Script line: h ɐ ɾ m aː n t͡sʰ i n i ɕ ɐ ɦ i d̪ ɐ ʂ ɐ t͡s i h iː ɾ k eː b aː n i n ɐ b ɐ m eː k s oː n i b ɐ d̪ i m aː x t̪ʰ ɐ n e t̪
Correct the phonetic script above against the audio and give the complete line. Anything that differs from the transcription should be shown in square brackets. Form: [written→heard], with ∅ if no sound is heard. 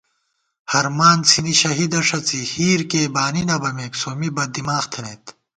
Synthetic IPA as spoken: h ɐ ɾ m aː n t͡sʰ i n i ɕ ɐ ɦ i d̪ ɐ ʂ ɐ t͡s i h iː ɾ k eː b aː n i n ɐ b ɐ m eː k s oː [n→m] i b ɐ d̪ i m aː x t̪ʰ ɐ n e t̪

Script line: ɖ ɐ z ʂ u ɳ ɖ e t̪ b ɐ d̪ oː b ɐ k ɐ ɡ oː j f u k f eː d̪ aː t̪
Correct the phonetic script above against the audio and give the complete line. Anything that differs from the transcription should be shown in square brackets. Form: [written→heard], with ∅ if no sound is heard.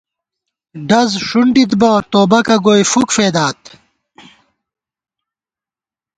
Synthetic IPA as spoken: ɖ ɐ z ʂ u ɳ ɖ [e→i] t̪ b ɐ [d̪→t̪] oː b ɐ k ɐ ɡ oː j f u k f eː d̪ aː t̪

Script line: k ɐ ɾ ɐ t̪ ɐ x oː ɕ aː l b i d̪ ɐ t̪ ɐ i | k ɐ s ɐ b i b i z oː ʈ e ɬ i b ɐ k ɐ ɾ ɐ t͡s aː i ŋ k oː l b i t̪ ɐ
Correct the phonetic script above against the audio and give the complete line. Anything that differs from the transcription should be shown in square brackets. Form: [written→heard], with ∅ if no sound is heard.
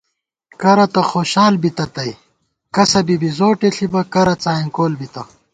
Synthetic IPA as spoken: k ɐ ɾ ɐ t̪ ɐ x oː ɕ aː l b i [d̪→t̪] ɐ t̪ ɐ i | k ɐ s ɐ b i b i z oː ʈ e ɬ i b ɐ k ɐ ɾ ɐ t͡s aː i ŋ k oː l b i t̪ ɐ

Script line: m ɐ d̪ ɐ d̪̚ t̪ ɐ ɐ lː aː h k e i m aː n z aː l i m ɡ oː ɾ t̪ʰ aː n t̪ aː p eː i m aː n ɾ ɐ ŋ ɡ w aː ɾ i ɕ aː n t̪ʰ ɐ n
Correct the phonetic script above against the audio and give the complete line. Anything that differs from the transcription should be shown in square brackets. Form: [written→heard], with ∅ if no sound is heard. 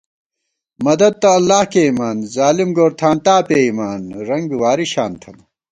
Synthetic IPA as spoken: m ɐ d̪ ɐ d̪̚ t̪ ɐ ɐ lː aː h k e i m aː n z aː l i m ɡ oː ɾ t̪ʰ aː n t̪ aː p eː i m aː n ɾ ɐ ŋ ɡ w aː ɾ i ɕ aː n t̪ʰ ɐ n

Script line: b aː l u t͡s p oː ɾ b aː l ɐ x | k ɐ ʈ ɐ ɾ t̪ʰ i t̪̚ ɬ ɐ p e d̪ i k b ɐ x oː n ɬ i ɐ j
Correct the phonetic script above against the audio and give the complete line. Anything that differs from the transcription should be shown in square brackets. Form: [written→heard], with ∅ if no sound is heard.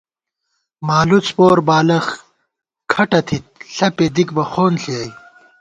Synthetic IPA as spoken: [b→m] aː l u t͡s p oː ɾ b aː l ɐ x | [k→kʰ] ɐ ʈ ɐ [ɾ→∅] t̪ʰ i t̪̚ ɬ ɐ p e d̪ i k b ɐ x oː n ɬ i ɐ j

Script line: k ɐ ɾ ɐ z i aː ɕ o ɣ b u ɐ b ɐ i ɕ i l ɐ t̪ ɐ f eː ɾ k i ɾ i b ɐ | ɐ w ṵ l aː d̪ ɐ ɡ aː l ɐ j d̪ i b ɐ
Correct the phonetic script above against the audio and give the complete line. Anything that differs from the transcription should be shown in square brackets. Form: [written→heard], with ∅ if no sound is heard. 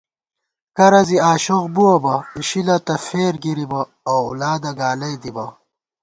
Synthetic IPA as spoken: k ɐ ɾ ɐ z i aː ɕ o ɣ b u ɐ b ɐ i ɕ i l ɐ t̪ ɐ f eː ɾ [k→ɡ] i ɾ i b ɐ | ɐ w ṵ l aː d̪ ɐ ɡ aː l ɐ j d̪ i b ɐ

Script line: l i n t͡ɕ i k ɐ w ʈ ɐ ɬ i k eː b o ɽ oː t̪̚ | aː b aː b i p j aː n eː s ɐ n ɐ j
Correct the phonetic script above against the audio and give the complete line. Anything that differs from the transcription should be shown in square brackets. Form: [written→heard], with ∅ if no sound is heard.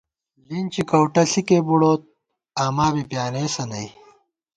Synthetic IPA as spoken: l i n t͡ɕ i k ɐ w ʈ ɐ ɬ i k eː b [o→u] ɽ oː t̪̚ | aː [b→m] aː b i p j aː n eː s ɐ n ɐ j

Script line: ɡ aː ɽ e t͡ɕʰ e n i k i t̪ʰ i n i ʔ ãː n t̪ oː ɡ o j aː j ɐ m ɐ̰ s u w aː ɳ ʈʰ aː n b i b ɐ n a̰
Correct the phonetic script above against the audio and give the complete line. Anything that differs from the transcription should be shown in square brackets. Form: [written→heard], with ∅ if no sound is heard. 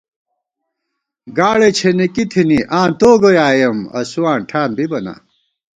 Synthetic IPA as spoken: ɡ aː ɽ e t͡ɕʰ e n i k i t̪ʰ i n i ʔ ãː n t̪ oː ɡ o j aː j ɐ m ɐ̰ s u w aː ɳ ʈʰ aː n b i b ɐ n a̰

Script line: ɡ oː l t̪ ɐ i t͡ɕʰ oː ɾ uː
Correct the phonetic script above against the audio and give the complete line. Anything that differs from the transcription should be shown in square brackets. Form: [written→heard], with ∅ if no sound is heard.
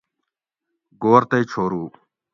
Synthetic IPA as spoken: ɡ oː [l→ɾ] t̪ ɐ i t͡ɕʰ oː ɾ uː

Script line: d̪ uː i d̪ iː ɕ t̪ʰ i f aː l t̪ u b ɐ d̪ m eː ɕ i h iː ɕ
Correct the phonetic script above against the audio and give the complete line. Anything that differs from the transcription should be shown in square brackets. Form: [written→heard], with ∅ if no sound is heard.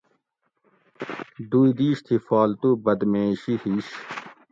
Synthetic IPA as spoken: d̪ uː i d̪ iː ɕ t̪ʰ i f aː l t̪ u b ɐ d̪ m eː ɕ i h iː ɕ

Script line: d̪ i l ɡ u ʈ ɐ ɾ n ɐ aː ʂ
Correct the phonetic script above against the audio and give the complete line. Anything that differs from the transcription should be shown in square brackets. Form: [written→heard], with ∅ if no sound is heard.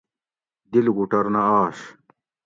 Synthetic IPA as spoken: d̪ i l ɡ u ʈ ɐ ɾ n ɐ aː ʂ

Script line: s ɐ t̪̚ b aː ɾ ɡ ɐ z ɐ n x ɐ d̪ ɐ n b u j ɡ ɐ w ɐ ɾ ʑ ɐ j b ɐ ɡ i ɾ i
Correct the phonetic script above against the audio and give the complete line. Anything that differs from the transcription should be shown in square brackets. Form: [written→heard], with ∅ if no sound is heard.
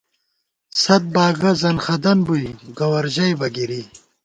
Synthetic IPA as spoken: s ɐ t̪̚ b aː [ɾ→∅] ɡ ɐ z ɐ n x ɐ d̪ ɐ n b u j ɡ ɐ w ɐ ɾ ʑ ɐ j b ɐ ɡ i ɾ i

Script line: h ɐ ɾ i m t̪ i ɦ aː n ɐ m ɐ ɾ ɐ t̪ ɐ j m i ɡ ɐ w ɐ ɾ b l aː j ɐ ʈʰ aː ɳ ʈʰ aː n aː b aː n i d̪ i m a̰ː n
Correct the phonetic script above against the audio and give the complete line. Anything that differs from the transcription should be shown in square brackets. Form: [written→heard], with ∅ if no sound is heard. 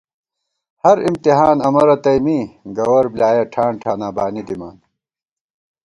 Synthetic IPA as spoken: h ɐ ɾ i m t̪ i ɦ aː n ɐ m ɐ ɾ ɐ t̪ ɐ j m i ɡ ɐ w ɐ ɾ b l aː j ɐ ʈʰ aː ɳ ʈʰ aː n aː b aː n i d̪ i m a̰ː n

